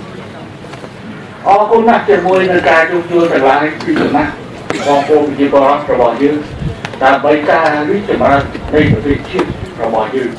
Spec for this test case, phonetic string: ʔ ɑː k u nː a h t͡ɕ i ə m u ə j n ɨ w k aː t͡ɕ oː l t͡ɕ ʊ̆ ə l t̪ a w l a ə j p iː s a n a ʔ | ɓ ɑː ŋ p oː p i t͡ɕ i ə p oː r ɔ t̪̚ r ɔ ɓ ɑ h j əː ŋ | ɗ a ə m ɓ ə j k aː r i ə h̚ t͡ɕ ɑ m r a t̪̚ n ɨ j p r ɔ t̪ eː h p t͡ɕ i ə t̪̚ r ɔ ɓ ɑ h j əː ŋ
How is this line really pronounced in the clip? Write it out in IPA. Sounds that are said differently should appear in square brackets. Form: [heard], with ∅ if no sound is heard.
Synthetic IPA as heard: ʔ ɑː k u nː a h t͡ɕ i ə m u ə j n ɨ w k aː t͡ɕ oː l t͡ɕ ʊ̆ ə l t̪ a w l a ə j p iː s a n a ʔ | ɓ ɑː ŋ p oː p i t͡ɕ i ə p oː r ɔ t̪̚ r ɔ ɓ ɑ h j əː ŋ | ɗ a ə m ɓ ə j k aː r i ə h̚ t͡ɕ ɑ m r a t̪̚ n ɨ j p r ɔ t̪ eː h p t͡ɕ i ə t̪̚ r ɔ ɓ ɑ h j əː ŋ